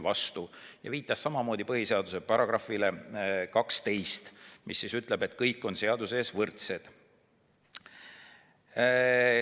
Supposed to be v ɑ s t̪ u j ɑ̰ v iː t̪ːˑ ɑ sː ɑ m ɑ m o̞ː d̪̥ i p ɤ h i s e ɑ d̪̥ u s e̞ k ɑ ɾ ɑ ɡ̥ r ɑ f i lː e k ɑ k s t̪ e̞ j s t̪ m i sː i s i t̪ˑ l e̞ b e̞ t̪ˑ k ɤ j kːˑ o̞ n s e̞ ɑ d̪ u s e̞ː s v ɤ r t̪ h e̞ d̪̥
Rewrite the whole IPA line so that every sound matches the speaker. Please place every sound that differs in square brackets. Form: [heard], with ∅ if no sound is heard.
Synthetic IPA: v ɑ s t̪ u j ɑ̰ v iː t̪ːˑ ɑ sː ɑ m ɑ m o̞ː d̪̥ i p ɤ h i s e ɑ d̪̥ u s e̞ [p] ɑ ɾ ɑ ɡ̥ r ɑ f i [l] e k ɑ k s t̪ e̞ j s t̪ m i sː i s [y] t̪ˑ l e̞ b e̞ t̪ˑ k ɤ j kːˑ o̞ n s e̞ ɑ d̪ u s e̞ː s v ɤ r t̪ [s] e̞ d̪̥